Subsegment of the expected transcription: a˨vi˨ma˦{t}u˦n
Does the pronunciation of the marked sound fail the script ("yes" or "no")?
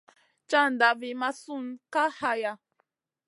yes